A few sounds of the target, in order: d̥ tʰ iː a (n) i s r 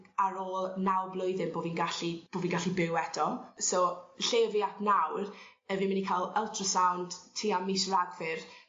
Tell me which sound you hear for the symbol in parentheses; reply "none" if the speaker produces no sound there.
m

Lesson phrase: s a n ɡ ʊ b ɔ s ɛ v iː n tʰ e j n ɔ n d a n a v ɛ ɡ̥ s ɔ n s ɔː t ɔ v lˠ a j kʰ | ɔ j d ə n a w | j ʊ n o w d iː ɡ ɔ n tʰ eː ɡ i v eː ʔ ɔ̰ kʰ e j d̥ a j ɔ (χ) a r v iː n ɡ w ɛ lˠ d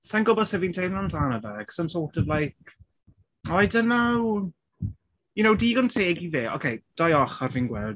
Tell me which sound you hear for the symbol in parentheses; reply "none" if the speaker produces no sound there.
χ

